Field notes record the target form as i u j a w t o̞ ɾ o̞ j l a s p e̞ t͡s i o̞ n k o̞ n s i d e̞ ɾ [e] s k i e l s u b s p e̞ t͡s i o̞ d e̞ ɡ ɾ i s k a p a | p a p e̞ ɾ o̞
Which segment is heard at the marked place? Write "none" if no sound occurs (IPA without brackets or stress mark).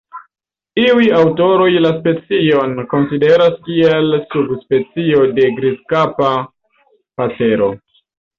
a